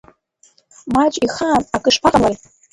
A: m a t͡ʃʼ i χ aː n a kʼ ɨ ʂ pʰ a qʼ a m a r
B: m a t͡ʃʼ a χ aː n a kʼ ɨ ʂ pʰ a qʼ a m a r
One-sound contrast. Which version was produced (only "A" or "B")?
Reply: A